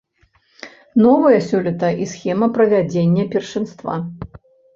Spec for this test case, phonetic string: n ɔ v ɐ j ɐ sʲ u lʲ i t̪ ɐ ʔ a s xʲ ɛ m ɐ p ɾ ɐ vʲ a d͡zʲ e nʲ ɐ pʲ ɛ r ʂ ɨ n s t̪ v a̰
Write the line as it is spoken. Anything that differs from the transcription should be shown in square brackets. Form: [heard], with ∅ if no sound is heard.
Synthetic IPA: n ɔ v ɐ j ɐ sʲ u lʲ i t̪ ɐ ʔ [i] s xʲ ɛ m ɐ p ɾ ɐ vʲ a d͡zʲ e [nʲː] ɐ pʲ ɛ r ʂ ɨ n s t̪ v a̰